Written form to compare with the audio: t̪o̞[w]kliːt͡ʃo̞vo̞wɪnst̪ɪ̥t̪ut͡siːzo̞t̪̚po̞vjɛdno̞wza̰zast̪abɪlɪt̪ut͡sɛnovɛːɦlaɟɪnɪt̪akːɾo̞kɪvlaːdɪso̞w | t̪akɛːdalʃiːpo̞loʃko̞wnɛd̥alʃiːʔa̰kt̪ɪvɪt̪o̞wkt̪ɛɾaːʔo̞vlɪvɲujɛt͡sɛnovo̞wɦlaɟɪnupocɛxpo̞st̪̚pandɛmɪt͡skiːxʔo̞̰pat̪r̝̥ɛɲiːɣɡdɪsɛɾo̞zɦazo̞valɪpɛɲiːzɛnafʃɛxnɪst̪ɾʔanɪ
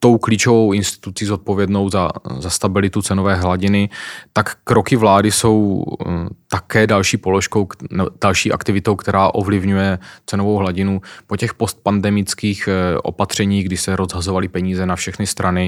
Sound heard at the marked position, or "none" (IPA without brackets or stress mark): w